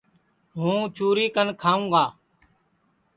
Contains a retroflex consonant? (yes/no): no